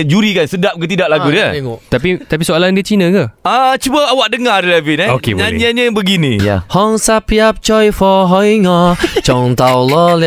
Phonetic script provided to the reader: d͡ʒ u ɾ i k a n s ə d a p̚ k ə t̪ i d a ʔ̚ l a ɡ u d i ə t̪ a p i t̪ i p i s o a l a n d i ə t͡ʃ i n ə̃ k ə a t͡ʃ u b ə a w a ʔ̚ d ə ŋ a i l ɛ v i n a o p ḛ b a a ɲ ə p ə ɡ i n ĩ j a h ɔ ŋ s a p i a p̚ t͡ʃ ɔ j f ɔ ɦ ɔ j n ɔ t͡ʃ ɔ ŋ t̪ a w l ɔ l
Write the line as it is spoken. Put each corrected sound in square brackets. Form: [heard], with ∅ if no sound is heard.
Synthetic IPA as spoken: d͡ʒ u ɾ i k a n s ə d a p̚ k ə t̪ i d a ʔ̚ l a ɡ u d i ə t̪ a p i t̪ [a] p i s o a l a n d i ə t͡ʃ i n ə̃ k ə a t͡ʃ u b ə a w a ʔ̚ d ə ŋ a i l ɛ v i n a o [k] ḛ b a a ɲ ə [b] ə ɡ i n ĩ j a h ɔ ŋ s a p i a p̚ t͡ʃ ɔ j f ɔ ɦ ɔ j [ŋ] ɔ t͡ʃ ɔ ŋ t̪ a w l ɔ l